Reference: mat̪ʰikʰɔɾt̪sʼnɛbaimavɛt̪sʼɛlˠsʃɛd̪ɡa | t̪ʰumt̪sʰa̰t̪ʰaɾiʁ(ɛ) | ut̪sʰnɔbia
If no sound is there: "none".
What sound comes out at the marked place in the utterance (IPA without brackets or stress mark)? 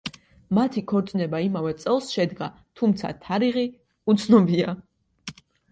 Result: i